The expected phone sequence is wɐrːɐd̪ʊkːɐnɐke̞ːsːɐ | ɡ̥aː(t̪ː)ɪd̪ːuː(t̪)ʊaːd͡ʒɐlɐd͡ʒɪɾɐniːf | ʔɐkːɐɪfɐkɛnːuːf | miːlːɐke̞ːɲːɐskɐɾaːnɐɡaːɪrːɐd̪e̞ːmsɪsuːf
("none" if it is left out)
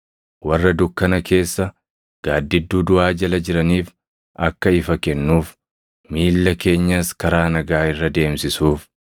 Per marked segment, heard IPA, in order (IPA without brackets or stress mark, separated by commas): d̪ː, d̪